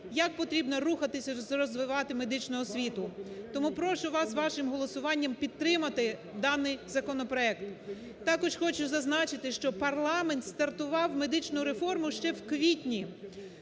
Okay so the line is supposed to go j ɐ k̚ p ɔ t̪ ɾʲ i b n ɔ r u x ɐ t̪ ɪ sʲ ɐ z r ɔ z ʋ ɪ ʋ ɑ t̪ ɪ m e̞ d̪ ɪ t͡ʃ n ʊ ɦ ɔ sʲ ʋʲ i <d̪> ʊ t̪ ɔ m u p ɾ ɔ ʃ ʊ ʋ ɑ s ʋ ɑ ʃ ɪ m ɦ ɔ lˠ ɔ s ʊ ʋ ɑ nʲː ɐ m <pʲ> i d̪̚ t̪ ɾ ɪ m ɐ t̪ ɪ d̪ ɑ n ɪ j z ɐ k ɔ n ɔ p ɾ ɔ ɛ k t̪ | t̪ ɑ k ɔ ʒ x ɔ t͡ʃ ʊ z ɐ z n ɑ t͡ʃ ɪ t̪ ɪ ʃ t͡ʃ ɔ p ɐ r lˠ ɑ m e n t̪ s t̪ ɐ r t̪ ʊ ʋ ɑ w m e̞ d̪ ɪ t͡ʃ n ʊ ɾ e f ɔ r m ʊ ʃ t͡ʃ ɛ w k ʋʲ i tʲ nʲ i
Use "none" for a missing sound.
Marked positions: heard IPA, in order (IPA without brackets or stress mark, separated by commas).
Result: t̪, pʲ